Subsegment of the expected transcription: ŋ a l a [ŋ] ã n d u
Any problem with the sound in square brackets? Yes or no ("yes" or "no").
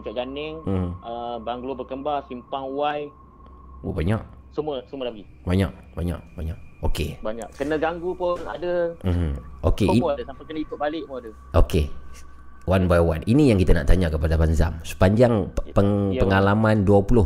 yes